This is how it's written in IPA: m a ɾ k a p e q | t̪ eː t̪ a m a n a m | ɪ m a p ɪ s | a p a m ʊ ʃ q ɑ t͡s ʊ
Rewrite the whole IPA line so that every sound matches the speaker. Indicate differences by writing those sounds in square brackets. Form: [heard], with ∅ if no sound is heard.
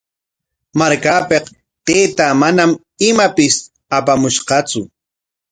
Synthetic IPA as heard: m a ɾ k a p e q | t̪ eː t̪ a m a n a m | ɪ m a p ɪ s | a p a m ʊ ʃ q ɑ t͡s ʊ

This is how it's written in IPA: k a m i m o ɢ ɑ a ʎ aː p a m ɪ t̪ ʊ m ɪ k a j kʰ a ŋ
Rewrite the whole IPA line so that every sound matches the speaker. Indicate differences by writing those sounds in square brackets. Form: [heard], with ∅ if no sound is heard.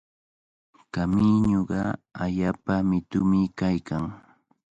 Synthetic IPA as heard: k a m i [ɲ] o ɢ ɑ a ʎ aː p a m ɪ t̪ ʊ m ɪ k a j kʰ a ŋ

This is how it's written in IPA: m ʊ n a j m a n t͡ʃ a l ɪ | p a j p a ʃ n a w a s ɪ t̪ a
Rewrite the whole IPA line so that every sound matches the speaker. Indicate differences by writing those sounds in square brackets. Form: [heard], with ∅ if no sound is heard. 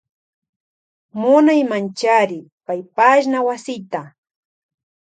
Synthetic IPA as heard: m ʊ n a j m a n t͡ʃ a [ɾ] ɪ | p a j p a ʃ n a w a s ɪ t̪ a

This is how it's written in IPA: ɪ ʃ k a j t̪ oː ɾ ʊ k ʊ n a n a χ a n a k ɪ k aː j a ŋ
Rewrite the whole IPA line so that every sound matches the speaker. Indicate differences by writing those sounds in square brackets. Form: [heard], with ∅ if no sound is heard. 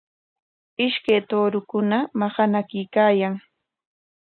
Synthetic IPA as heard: ɪ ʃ k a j t̪ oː ɾ ʊ k ʊ n a [m] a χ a n a k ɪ k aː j a ŋ

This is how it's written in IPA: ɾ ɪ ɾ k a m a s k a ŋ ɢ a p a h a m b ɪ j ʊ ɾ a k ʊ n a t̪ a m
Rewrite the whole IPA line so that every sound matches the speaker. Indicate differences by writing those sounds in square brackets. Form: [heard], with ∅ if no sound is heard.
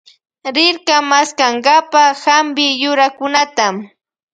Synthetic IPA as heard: ɾ ɪ ɾ k a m a s k a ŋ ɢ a p a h a m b ɪ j ʊ ɾ a k ʊ n a t̪ a m

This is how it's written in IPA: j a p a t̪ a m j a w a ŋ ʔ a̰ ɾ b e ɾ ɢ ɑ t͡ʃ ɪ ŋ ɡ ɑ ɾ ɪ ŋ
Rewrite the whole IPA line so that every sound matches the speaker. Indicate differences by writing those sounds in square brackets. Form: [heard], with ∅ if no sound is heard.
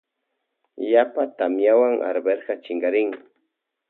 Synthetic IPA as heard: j a p a t̪ a m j a w a ŋ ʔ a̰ ɾ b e ɾ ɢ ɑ t͡ʃ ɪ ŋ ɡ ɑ ɾ ɪ ŋ

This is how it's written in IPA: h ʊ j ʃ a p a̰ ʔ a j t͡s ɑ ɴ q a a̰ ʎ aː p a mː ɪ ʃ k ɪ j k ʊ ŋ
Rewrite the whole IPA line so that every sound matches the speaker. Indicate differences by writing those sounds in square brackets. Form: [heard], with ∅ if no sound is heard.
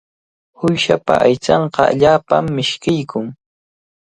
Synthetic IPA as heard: h ʊ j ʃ a p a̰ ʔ a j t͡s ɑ ɴ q [ɑ] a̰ ʎ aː p a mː ɪ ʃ k ɪ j k ʊ ŋ

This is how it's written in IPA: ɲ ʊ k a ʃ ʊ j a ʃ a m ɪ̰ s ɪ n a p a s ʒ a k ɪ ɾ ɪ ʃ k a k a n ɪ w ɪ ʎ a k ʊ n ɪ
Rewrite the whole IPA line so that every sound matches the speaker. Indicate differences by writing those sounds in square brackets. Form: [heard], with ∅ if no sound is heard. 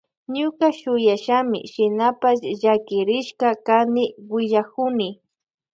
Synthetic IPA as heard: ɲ ʊ k a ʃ ʊ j a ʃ a m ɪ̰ [ʃ] ɪ n a p a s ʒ a k ɪ ɾ ɪ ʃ k a k a n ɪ w ɪ ʎ a k ʊ n ɪ

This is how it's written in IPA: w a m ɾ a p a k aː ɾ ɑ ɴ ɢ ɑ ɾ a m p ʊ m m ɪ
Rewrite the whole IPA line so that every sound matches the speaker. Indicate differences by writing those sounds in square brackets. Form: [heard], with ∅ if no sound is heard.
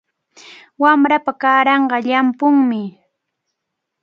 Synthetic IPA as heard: w a m ɾ a p a k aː ɾ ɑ ɴ ɢ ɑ [ʎ] a m p ʊ [ŋ] m ɪ

